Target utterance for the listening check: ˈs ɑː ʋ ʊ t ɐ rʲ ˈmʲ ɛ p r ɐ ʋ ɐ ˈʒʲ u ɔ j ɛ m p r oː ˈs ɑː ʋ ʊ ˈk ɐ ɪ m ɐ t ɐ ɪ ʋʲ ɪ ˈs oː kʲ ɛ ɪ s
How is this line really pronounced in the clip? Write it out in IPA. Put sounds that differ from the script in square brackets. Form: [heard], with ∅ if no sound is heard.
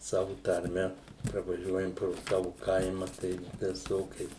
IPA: ˈs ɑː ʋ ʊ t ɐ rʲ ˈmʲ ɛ p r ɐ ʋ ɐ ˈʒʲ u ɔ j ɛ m p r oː ˈs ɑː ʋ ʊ ˈk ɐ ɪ m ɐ t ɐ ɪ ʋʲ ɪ ˈs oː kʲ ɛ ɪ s

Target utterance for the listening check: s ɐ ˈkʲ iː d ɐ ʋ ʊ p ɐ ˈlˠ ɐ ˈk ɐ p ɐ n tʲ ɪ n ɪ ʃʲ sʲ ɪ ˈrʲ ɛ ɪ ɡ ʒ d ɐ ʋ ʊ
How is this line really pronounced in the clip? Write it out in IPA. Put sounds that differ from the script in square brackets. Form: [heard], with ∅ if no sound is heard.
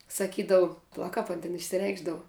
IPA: s ɐ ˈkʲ iː d ɐ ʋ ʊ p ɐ ˈlˠ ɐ ˈk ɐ p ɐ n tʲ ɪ n ɪ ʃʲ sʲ ɪ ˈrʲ ɛ ɪ ɡ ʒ d ɐ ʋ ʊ

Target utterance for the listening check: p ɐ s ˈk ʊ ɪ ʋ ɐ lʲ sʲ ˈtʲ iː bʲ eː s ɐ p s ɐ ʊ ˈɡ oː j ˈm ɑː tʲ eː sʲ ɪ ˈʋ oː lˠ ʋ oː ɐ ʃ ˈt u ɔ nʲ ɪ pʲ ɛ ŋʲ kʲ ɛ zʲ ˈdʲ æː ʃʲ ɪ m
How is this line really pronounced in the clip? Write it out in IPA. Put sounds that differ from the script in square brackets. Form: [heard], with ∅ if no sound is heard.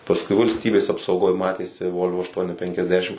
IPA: p ɐ s ˈk ʊ ɪ ʋ ɐ lʲ sʲ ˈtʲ iː bʲ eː s ɐ p s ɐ ʊ ˈɡ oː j ˈm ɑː tʲ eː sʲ ɪ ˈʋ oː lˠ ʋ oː ɐ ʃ ˈt u ɔ nʲ ɪ pʲ ɛ ŋʲ kʲ ɛ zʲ ˈdʲ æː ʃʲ ɪ m

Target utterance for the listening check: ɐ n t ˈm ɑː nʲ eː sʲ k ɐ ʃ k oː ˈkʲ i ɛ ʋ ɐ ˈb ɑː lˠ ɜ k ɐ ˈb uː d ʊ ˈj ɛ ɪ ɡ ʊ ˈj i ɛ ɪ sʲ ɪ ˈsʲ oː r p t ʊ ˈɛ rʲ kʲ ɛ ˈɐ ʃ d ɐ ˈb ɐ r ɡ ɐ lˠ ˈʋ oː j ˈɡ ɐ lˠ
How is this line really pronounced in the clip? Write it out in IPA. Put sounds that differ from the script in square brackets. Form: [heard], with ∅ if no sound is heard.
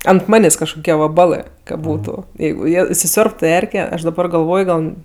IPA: ɐ n t ˈm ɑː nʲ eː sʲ k ɐ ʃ k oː ˈkʲ i ɛ ʋ ɐ ˈb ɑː lˠ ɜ k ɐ ˈb uː [t] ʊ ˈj ɛ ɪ ɡ ʊ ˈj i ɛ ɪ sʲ ɪ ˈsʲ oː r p t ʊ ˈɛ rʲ kʲ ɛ ˈɐ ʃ d ɐ ˈb ɐ r ɡ ɐ lˠ ˈʋ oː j ˈɡ ɐ lˠ

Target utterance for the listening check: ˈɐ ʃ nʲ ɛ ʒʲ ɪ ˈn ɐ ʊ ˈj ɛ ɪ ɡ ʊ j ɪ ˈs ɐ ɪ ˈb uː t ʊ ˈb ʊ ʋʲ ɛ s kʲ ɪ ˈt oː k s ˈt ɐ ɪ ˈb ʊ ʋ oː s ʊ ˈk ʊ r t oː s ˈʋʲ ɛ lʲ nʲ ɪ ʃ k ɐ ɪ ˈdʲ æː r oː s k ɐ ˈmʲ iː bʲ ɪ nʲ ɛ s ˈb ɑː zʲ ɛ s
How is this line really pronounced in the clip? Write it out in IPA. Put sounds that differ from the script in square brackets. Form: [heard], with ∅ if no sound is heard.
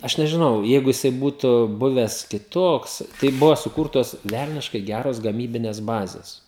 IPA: ˈɐ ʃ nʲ ɛ ʒʲ ɪ ˈn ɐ ʊ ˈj ɛ ɪ ɡ ʊ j ɪ ˈs ɐ ɪ ˈb uː t ʊ ˈb ʊ ʋʲ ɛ s kʲ ɪ ˈt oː k s ˈt ɐ ɪ ˈb ʊ ʋ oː s ʊ ˈk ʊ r t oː s ˈʋʲ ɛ lʲ nʲ ɪ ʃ k ɐ ɪ [ˈɡʲ] æː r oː s [ɡ] ɐ ˈmʲ iː bʲ ɪ nʲ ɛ s ˈb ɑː zʲ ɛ s

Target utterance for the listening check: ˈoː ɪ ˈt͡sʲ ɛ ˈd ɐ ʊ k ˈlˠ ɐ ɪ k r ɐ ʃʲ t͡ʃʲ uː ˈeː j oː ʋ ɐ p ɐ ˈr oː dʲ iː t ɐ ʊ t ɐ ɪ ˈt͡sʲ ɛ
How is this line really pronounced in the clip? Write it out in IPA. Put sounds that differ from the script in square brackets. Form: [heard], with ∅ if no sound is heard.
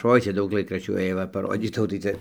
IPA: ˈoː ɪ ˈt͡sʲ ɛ ˈd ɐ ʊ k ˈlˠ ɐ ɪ k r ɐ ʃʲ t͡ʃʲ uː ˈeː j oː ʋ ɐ p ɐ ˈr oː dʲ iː t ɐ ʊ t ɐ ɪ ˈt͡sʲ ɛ

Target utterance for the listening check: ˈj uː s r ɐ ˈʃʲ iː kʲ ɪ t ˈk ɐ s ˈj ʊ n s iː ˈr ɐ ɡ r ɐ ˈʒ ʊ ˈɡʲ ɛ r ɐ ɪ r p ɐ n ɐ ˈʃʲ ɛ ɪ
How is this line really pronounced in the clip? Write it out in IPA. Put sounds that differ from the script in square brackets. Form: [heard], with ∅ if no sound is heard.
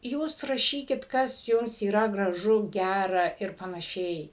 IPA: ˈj uː s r ɐ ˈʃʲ iː kʲ ɪ t ˈk ɐ s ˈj ʊ [m] s iː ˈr ɐ ɡ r ɐ ˈʒ ʊ ˈɡʲ [æ] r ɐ ɪ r p ɐ n ɐ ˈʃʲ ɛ ɪ

